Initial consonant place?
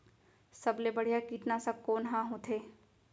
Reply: alveolar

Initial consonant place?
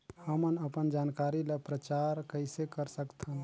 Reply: glottal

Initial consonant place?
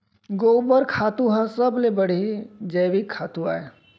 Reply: velar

